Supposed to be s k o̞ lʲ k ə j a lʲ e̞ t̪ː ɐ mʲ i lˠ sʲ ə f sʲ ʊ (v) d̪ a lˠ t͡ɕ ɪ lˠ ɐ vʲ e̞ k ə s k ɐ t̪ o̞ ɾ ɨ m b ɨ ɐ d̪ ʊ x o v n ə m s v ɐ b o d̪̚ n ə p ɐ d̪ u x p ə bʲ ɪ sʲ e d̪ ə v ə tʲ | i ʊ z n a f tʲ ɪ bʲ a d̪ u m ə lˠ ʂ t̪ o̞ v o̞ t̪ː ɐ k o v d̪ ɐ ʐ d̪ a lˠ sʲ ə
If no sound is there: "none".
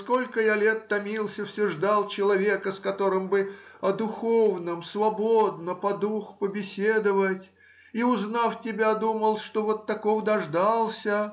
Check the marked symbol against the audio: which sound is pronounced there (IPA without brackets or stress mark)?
ʐ